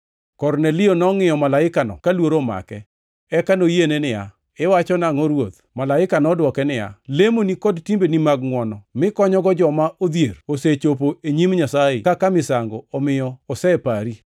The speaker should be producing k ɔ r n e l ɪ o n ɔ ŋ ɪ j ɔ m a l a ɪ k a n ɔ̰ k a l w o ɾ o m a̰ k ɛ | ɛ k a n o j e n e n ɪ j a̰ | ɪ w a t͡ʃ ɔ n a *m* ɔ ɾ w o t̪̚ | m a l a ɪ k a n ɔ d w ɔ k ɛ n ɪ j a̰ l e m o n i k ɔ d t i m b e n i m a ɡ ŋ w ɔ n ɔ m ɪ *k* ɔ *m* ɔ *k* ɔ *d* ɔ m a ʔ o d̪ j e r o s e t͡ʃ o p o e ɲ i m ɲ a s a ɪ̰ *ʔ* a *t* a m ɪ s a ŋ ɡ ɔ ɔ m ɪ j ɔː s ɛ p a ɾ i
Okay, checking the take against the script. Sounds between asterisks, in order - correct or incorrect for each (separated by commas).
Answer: incorrect, correct, incorrect, incorrect, incorrect, incorrect, incorrect